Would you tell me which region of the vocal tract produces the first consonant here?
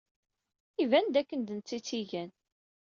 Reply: lips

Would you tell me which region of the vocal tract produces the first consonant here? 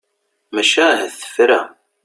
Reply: lips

